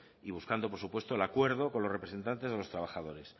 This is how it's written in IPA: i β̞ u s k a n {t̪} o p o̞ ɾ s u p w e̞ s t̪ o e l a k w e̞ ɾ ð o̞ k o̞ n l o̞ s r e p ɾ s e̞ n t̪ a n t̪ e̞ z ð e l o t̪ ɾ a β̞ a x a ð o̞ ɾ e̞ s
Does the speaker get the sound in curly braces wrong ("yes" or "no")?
yes